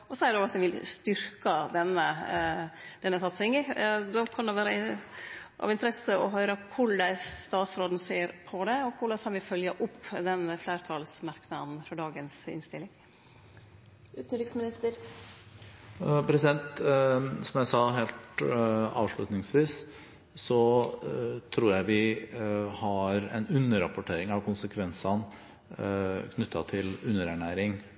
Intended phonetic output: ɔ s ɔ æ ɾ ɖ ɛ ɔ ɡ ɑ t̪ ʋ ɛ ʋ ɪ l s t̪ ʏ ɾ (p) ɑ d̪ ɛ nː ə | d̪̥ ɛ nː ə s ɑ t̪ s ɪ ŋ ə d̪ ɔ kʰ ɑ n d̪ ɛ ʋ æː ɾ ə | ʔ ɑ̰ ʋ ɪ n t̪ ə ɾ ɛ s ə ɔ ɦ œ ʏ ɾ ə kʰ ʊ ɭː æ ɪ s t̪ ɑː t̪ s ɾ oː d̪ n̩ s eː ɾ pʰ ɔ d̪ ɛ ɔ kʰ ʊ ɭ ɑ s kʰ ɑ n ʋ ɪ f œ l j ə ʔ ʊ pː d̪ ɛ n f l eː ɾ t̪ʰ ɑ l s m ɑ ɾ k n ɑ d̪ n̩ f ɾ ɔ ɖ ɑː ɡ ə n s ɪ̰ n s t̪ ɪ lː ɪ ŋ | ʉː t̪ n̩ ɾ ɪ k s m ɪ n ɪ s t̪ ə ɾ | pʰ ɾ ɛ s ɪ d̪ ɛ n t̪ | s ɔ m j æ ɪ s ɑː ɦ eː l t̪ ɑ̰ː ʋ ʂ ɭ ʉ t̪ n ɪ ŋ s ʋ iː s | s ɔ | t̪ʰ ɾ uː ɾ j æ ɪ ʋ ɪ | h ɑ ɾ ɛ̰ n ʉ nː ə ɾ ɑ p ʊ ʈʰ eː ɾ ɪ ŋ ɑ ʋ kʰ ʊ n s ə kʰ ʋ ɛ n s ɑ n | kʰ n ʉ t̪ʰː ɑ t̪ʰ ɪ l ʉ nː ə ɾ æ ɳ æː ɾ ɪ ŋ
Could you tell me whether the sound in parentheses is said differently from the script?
yes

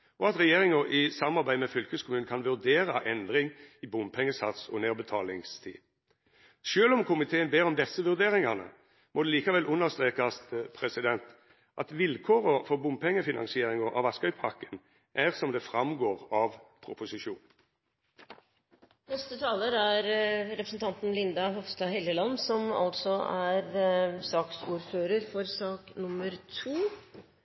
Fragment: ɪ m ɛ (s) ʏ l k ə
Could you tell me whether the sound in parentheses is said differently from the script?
yes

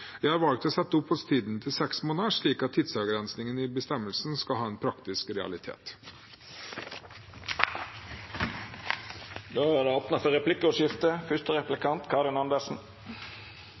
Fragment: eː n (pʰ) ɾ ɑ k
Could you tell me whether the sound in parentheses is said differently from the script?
no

